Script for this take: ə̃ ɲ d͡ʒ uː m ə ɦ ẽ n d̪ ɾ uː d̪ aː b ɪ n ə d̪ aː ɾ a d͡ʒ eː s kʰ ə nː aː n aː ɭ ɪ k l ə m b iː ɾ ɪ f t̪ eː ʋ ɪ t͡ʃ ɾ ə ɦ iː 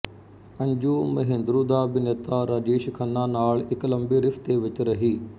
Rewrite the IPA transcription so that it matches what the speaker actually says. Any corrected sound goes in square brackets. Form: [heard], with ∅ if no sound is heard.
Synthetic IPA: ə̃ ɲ d͡ʒ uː m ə ɦ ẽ n d̪ ɾ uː d̪ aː b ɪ n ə [t̪] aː ɾ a d͡ʒ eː [ʃ] kʰ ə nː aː n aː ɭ ɪ k l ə m b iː ɾ ɪ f t̪ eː ʋ ɪ t͡ʃ ɾ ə ɦ iː